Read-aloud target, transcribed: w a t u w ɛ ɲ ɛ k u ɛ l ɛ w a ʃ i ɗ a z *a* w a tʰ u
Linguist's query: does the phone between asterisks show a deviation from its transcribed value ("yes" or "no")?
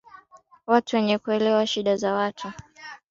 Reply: no